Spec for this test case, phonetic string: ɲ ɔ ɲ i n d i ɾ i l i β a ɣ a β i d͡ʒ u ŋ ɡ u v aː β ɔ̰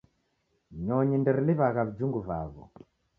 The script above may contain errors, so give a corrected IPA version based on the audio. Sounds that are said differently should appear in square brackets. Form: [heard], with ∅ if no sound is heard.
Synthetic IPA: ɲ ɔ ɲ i n d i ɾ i l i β a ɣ a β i d͡ʒ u ŋ ɡ u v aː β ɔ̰